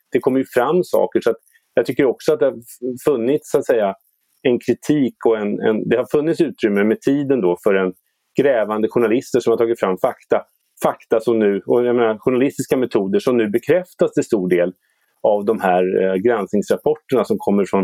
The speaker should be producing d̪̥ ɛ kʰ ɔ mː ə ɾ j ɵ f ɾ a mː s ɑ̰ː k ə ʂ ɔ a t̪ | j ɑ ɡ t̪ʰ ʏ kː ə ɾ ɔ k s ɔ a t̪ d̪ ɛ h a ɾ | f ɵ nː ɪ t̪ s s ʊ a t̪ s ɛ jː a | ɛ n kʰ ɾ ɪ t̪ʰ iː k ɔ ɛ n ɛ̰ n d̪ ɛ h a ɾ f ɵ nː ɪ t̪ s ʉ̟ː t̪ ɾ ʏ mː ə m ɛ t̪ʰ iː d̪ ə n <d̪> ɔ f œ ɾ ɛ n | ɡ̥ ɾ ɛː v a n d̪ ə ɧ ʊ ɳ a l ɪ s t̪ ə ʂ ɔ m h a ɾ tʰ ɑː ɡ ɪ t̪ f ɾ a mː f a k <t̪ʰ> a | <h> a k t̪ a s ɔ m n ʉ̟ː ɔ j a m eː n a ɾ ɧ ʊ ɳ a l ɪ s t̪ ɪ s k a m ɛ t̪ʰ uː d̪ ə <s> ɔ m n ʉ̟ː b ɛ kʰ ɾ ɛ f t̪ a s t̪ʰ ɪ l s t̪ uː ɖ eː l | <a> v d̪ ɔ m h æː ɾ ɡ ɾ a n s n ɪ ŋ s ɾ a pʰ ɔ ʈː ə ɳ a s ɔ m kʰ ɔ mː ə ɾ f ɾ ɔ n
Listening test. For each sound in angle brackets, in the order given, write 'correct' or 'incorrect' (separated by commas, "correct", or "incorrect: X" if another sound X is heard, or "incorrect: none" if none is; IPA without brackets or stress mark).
correct, incorrect: t̪, incorrect: f, incorrect: ʂ, correct